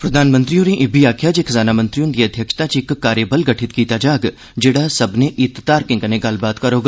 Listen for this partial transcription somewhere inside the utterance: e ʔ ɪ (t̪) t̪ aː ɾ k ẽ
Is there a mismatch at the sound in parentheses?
no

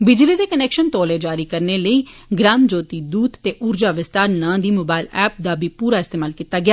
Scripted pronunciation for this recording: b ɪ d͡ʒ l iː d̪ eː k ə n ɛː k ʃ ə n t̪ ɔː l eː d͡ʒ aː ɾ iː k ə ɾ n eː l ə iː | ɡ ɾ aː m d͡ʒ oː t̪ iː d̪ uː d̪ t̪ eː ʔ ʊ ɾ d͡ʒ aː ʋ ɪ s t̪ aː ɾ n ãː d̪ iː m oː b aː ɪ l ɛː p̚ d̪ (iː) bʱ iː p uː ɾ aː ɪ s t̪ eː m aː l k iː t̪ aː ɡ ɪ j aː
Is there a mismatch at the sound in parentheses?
yes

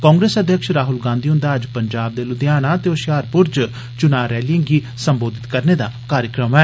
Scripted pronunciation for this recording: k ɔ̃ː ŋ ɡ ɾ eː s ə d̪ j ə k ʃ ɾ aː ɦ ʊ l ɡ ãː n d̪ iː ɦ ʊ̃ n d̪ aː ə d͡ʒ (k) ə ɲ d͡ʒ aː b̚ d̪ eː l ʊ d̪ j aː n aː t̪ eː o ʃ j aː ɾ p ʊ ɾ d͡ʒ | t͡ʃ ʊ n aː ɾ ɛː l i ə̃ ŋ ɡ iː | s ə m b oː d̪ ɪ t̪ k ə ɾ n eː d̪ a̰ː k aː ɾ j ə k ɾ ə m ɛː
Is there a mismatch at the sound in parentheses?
yes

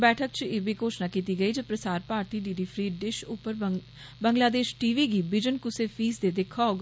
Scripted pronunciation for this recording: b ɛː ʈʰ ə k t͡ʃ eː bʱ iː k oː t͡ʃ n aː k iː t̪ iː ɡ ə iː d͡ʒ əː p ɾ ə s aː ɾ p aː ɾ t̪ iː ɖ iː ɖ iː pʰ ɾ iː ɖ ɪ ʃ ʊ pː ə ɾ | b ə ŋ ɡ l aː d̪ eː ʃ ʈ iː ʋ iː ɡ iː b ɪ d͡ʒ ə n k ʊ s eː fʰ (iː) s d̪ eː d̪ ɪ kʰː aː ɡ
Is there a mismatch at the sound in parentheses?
no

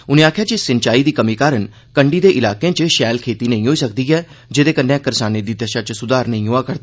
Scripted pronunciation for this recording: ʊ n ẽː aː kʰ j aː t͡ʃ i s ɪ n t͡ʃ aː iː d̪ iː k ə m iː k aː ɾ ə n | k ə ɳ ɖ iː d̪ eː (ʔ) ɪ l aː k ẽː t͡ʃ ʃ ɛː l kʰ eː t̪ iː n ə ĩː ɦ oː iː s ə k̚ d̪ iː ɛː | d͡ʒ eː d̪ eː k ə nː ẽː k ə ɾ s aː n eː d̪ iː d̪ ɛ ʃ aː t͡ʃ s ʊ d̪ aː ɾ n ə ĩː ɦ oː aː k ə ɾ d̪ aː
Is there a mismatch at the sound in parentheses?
no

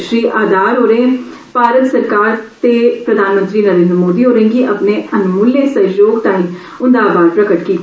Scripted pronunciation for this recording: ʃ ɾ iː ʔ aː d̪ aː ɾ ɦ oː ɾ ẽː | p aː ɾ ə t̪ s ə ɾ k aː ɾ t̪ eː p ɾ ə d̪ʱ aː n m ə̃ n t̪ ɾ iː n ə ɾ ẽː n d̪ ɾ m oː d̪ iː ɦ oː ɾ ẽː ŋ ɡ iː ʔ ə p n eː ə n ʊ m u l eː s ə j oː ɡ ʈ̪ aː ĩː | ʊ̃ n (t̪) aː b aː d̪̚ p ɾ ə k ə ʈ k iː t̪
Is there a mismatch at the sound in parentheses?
yes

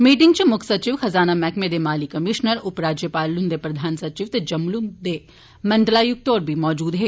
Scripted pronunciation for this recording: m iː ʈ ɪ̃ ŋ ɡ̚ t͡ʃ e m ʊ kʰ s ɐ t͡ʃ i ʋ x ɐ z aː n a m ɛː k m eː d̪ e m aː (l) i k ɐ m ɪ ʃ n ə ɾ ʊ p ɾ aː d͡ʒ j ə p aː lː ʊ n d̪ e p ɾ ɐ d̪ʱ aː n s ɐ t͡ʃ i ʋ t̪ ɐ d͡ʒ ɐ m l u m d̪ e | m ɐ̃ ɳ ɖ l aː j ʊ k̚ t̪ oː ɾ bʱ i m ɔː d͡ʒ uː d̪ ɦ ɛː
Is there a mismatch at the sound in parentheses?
no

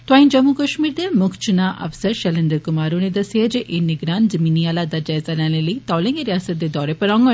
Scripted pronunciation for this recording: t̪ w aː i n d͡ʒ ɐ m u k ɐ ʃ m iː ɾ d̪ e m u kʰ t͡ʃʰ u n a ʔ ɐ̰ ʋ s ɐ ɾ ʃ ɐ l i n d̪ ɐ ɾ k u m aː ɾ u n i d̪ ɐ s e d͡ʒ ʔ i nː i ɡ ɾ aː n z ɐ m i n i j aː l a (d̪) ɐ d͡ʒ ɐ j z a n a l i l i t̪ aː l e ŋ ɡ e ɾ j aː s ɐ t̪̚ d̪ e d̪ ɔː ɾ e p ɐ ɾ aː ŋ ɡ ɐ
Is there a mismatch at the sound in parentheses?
no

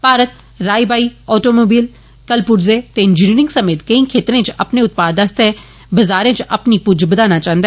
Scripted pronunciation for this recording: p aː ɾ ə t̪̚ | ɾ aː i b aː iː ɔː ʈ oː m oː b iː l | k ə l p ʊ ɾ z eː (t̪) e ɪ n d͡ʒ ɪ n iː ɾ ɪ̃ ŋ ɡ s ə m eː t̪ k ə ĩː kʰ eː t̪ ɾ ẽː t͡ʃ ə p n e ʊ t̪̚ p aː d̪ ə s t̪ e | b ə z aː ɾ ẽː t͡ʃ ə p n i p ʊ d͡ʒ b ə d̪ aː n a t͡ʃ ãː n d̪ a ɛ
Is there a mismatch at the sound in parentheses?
no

